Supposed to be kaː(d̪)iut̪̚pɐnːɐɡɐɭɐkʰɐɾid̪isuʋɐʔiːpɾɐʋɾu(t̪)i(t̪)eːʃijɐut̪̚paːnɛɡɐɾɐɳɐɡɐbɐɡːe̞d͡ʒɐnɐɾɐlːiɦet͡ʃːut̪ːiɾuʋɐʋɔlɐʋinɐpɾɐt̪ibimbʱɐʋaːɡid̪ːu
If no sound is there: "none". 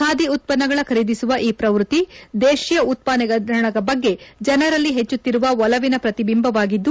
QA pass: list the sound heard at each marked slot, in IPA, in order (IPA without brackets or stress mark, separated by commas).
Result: d̪, t̪, d̪